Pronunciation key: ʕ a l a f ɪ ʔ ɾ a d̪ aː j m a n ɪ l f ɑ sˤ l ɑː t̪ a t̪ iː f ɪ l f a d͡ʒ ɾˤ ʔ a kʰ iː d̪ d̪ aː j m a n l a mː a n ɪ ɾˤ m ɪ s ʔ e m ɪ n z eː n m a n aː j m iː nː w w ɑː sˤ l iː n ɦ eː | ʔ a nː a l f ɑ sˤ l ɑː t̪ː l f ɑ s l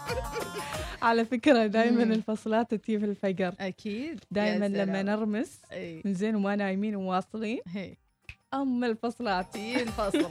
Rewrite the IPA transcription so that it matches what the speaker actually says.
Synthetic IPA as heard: ʕ a l a f ɪ k ɾ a d̪ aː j m a n ɪ l f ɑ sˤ l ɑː t̪ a t̪ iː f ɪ l f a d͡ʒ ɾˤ ʔ a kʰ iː d̪ d̪ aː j m a n l a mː a n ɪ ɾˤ m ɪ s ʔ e m ɪ n z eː n m a n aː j m iː n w w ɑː sˤ l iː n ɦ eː | ʔ a mː a l f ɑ sˤ l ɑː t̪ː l f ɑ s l